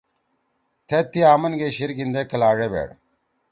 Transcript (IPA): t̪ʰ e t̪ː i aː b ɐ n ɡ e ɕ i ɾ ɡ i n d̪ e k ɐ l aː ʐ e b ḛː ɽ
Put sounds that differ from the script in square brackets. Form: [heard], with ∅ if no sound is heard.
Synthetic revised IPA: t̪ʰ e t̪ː i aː [m] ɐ n ɡ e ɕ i ɾ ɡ i n d̪ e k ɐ l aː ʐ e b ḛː ɽ